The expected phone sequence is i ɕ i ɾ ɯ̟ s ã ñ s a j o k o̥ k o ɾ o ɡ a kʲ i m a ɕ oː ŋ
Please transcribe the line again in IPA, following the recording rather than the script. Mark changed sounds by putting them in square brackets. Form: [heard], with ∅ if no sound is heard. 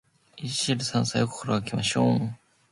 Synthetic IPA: i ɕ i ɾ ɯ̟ s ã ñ s a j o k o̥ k o ɾ o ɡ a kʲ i m a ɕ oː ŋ